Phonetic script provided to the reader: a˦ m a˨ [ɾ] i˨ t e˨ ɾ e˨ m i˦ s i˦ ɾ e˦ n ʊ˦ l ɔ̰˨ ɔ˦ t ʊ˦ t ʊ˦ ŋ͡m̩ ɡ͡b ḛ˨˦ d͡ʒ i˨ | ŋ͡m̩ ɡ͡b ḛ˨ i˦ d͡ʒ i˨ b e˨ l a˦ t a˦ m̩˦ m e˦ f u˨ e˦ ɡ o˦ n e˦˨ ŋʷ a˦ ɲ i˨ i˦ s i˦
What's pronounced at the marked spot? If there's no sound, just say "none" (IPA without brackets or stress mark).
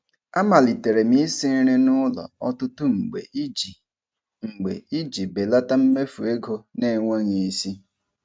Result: l